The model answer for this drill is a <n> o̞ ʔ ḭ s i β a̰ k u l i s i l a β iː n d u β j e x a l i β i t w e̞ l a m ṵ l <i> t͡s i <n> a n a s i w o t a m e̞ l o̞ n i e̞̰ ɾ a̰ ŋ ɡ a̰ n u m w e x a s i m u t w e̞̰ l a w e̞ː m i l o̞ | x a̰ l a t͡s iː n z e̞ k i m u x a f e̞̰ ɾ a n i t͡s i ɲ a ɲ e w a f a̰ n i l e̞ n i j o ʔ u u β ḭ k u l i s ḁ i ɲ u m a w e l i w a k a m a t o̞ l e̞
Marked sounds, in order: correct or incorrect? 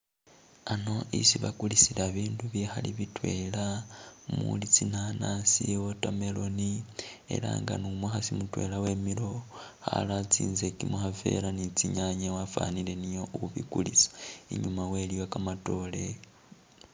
correct, correct, correct

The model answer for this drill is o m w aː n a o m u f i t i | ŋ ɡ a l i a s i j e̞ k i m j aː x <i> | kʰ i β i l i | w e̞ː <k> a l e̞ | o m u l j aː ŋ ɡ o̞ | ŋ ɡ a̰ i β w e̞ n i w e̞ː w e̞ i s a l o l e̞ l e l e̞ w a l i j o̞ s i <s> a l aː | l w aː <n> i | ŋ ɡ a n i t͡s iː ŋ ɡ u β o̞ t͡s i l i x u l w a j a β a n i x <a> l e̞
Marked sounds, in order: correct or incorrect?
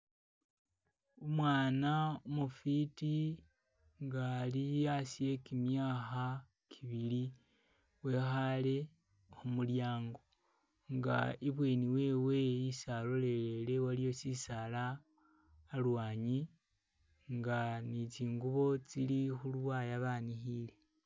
incorrect, incorrect, correct, incorrect, incorrect

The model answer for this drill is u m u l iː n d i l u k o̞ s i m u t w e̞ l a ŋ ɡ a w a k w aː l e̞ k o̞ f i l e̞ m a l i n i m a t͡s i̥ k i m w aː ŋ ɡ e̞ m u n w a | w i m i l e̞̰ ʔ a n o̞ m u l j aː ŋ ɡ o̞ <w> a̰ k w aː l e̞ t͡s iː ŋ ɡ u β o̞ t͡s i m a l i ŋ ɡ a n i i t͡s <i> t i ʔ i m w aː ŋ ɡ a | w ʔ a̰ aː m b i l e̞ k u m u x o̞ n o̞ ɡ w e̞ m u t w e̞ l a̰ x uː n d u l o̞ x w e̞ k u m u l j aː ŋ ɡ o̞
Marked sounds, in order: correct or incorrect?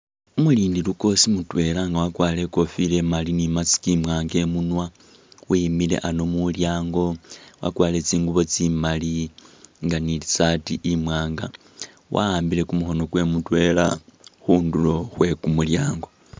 correct, incorrect

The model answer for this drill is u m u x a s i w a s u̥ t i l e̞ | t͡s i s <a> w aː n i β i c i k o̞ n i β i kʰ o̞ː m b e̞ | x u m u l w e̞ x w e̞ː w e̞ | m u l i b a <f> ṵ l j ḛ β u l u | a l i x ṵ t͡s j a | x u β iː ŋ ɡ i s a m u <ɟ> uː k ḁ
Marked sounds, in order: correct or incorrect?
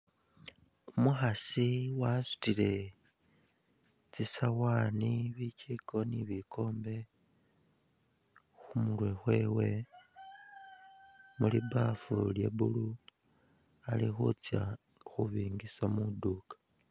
correct, correct, incorrect

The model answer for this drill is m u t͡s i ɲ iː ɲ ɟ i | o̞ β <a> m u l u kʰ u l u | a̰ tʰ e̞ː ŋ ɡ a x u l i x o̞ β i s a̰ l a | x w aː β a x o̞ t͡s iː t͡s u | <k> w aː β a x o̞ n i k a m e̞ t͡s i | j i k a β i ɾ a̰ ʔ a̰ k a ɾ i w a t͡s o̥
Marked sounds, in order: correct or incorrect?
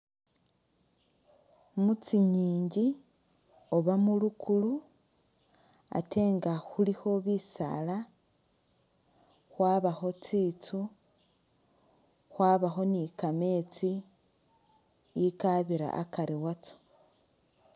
correct, incorrect

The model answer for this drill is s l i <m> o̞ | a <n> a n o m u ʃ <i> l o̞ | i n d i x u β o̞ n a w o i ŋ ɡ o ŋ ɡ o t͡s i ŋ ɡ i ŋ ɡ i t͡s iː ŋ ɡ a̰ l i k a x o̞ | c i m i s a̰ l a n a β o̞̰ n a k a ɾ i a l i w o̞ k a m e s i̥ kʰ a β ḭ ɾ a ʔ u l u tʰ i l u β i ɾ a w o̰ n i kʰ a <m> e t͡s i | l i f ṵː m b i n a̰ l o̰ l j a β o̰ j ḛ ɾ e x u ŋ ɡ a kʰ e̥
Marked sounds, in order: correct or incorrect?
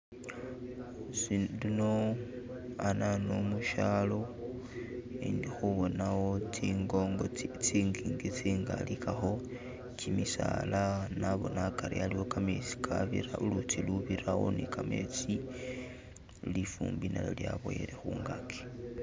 incorrect, correct, incorrect, correct

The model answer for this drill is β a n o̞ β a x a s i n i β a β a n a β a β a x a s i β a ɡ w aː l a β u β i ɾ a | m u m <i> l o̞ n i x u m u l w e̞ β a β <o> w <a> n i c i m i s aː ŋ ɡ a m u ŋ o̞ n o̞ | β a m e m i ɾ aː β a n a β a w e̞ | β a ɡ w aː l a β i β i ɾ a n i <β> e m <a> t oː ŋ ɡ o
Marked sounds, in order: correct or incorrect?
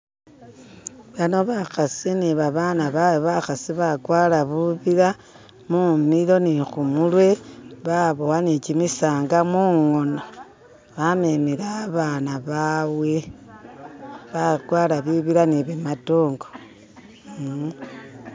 correct, correct, correct, correct, correct

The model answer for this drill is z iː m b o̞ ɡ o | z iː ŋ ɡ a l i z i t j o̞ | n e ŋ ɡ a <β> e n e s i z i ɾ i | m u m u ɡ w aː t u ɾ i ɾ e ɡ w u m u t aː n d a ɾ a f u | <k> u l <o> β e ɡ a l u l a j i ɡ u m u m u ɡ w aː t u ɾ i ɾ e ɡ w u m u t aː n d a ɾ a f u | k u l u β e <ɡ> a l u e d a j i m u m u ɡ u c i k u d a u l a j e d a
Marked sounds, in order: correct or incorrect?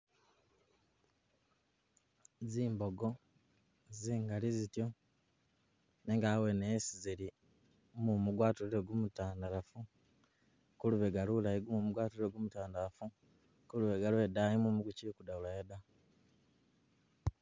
incorrect, correct, incorrect, correct

